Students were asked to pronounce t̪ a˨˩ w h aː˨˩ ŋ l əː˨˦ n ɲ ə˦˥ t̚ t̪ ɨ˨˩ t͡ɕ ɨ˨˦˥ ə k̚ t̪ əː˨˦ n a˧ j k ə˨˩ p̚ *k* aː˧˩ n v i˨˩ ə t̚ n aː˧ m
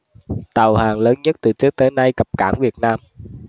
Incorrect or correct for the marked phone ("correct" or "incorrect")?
correct